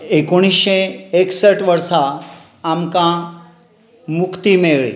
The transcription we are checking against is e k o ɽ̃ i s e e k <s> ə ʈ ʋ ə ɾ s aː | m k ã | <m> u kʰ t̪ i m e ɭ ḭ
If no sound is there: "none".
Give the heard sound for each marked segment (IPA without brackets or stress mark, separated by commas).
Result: s, m